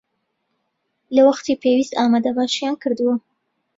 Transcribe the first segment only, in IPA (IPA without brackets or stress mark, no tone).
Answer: l